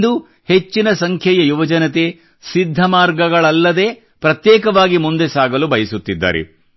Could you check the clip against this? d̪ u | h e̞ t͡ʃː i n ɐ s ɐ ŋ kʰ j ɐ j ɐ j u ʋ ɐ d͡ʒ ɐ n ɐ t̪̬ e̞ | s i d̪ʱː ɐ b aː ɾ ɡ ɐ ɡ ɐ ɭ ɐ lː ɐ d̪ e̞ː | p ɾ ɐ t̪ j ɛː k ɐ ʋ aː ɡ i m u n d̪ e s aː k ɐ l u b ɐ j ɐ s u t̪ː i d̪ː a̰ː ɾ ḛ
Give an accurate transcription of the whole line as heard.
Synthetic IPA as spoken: d̪ u | h e̞ t͡ʃː i n ɐ s ɐ ŋ kʰ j ɐ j ɐ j u ʋ ɐ d͡ʒ ɐ n ɐ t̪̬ e̞ | s i d̪ʱː ɐ m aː ɾ ɡ ɐ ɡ ɐ ɭ ɐ lː ɐ d̪ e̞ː | p ɾ ɐ t̪ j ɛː k ɐ ʋ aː ɡ i m u n d̪ e s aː ɡ ɐ l u b ɐ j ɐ s u t̪ː i d̪ː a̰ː ɾ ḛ